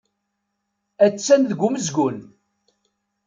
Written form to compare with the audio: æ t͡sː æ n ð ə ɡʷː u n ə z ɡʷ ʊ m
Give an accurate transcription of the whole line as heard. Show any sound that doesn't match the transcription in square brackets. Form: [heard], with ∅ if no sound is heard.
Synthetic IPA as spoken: æ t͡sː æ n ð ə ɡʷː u [m] ə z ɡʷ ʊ [n]